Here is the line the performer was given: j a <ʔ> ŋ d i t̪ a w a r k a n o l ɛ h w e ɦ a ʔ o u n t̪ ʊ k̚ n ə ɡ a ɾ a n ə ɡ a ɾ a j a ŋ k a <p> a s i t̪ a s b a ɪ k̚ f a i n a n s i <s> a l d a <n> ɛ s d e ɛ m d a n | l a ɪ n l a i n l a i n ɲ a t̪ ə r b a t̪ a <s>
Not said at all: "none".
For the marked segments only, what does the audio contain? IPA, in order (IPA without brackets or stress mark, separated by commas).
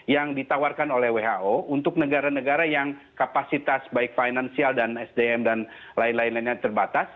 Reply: none, p, none, n, s